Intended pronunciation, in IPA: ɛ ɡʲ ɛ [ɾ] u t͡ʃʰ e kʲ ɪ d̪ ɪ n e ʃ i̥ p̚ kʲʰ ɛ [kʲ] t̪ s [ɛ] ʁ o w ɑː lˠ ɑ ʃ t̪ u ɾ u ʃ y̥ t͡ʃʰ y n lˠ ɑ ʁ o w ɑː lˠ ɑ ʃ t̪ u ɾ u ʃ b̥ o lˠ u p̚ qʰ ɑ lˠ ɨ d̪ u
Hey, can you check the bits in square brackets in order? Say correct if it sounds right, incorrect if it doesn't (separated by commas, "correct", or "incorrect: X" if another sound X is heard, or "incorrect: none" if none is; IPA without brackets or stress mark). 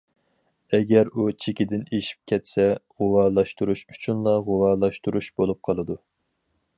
correct, incorrect: none, correct